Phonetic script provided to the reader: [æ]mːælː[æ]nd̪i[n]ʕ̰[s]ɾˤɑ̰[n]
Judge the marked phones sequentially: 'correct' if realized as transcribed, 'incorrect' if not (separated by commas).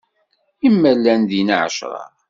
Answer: incorrect, correct, correct, incorrect, incorrect